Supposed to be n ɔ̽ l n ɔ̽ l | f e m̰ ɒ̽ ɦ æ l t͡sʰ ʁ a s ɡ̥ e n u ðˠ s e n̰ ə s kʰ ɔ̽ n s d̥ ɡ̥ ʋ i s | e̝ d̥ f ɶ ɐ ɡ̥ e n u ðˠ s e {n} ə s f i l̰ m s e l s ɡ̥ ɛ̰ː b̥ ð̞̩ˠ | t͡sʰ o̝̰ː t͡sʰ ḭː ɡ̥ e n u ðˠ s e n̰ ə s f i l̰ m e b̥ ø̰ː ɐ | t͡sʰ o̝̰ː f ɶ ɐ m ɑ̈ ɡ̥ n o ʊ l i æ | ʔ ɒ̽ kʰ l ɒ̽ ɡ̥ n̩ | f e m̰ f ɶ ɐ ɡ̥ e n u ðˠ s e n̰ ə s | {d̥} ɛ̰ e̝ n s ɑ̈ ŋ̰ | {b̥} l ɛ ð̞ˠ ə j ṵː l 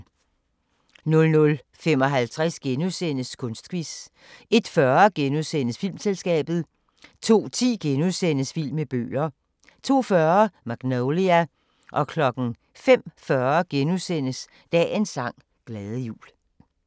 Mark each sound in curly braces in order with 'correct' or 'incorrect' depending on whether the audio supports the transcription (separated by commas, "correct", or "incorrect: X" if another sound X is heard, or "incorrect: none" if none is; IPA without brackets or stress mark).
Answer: correct, correct, incorrect: ɡ̥